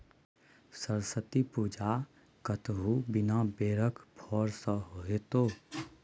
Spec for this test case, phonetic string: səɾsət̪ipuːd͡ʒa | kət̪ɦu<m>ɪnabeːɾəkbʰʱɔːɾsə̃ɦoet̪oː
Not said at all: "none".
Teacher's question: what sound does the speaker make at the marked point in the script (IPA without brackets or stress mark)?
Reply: b